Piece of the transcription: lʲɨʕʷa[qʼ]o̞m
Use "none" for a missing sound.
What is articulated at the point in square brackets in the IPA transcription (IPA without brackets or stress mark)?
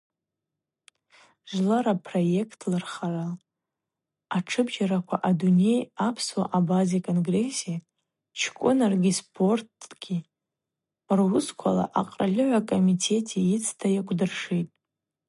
kʼ